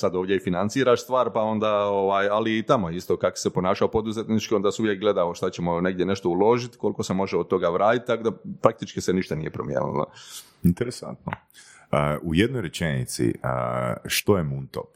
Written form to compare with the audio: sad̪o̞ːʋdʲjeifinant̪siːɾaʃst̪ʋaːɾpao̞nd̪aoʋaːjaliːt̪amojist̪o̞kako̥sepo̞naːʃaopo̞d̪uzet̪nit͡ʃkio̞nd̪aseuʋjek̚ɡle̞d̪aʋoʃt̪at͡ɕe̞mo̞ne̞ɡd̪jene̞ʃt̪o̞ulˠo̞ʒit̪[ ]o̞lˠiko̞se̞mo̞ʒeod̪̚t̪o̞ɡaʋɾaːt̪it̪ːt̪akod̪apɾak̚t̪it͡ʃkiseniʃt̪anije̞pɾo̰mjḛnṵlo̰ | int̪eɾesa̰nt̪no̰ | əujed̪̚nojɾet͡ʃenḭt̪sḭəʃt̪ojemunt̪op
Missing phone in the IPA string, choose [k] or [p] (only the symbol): k